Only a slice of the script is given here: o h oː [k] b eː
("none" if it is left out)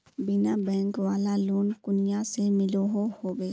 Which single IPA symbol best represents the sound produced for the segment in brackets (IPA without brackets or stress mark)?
none